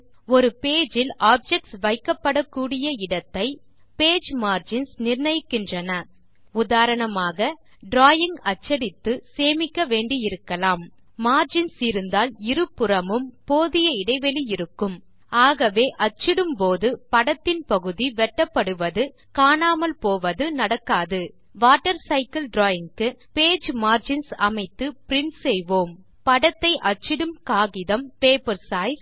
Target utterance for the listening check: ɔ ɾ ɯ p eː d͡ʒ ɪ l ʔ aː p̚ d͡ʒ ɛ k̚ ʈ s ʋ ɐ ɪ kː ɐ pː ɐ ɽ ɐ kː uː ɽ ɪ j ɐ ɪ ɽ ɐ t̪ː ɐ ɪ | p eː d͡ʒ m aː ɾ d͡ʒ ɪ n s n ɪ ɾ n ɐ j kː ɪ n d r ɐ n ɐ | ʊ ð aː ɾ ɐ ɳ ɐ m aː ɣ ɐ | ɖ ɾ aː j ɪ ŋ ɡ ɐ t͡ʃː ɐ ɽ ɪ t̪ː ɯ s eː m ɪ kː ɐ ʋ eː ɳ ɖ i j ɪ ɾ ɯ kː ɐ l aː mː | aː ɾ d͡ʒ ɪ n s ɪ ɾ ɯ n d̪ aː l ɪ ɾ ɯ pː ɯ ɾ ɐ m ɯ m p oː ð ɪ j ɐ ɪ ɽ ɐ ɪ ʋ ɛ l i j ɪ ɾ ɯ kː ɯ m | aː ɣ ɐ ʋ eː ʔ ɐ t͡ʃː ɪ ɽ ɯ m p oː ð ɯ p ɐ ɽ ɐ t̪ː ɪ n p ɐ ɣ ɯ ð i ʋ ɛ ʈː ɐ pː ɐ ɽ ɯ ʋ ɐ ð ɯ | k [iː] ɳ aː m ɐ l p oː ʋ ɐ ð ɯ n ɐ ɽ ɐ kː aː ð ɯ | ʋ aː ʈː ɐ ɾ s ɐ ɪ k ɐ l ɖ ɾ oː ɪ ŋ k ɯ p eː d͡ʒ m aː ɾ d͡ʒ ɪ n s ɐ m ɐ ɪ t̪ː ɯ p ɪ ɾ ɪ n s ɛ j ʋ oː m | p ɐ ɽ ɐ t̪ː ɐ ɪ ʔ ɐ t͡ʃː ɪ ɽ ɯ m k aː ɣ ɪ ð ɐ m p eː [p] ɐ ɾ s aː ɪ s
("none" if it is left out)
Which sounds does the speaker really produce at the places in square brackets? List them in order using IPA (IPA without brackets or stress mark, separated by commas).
aː, p